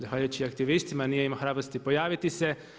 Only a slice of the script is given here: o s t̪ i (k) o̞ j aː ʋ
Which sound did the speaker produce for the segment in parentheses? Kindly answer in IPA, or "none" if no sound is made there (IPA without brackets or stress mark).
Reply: p